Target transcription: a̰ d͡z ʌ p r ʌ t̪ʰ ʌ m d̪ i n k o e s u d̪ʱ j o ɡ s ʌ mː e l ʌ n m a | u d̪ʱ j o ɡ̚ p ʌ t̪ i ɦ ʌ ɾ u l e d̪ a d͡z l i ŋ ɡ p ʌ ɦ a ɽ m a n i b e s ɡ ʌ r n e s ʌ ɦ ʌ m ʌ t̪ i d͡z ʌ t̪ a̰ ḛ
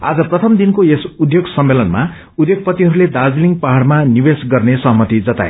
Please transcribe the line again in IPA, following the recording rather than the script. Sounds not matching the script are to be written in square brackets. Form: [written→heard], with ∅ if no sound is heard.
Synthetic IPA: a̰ d͡z ʌ p r ʌ t̪ʰ ʌ m d̪ i n k o e s u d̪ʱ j o ɡ s ʌ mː e l ʌ n m a | u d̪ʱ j o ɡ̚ p ʌ t̪ i ɦ ʌ ɾ u l e d̪ a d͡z l i ŋ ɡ p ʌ ɦ a ɽ m a n i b e s ɡ ʌ r n e s ʌ ɦ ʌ m ʌ t̪ i d͡z ʌ t̪ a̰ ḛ